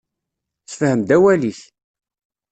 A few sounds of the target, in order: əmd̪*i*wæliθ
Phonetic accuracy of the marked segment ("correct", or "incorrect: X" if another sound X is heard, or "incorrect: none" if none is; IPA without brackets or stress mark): incorrect: æ